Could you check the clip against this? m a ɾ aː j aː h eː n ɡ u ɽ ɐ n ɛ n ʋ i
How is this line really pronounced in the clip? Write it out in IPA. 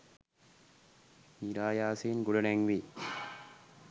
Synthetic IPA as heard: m i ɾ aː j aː s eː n ɡ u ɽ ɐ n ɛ ŋ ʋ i